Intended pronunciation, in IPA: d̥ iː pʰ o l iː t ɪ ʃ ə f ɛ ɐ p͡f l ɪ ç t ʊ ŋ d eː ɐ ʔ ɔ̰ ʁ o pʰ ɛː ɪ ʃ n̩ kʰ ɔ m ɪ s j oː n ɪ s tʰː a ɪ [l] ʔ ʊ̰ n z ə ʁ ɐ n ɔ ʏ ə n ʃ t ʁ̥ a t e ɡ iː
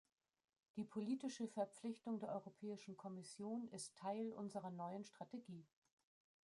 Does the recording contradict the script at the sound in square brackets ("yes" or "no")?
no